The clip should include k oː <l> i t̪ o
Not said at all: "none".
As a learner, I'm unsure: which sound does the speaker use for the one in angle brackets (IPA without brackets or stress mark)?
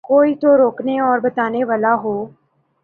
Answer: none